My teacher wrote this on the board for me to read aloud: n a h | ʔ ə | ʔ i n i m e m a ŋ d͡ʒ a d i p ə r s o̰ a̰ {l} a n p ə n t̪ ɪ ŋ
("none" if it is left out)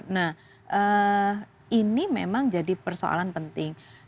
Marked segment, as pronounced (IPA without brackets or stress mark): l